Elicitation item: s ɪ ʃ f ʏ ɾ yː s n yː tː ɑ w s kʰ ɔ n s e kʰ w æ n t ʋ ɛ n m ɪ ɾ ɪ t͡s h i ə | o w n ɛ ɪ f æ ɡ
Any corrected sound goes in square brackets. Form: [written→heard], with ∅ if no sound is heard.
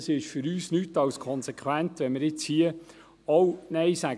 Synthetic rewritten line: s ɪ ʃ f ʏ ɾ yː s n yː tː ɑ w s kʰ ɔ n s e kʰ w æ n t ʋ ɛ n m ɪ ɾ ɪ t͡s h i ə | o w n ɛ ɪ [f→s] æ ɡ